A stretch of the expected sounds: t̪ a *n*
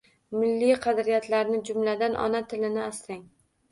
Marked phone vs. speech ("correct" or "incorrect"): incorrect